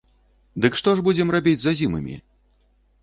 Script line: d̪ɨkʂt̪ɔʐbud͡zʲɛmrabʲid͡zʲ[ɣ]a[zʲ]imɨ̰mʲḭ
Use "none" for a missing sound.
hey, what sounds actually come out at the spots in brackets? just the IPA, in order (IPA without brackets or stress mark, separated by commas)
z, zʲ